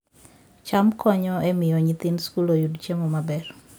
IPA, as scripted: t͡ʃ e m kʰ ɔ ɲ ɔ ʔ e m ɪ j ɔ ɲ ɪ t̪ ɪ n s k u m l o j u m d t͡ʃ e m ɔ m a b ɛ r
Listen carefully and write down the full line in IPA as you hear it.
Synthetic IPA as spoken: t͡ʃ a m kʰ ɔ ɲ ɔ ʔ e m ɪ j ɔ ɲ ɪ t̪ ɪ n s k u l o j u d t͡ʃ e m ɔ m a b ɛ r

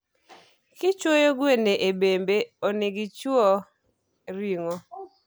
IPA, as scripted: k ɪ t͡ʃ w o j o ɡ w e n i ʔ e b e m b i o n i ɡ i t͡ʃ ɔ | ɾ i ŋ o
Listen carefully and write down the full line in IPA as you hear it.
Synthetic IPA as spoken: k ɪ t͡ʃ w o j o ɡ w e n e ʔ e b e m b e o n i ɡ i t͡ʃ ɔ | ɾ i ŋ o

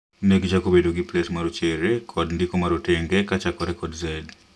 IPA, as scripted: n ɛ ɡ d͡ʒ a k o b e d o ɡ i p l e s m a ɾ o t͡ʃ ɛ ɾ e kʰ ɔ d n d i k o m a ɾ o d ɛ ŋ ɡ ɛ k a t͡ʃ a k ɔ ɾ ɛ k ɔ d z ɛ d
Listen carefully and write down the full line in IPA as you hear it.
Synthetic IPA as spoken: n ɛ ɡ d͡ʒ a k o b e d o ɡ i p l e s m a ɾ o t͡ʃ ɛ ɾ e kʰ ɔ d n d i k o m a ɾ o t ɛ ŋ ɡ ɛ k a t͡ʃ a k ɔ ɾ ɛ k ɔ d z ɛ d

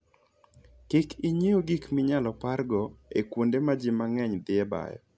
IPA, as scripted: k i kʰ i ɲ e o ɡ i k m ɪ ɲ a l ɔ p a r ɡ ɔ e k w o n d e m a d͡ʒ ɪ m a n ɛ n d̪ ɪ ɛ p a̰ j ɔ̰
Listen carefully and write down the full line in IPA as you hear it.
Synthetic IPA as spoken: k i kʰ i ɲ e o ɡ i k m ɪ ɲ a l ɔ p a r ɡ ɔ e k w o n d e m a d͡ʒ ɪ m a ŋ ɛ ɲ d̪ ɪ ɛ b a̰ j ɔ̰

